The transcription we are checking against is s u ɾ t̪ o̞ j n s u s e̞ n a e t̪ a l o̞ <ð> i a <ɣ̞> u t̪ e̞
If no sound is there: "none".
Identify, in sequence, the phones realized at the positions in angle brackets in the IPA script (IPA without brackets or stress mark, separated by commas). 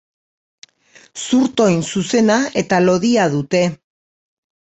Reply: ð, ð̞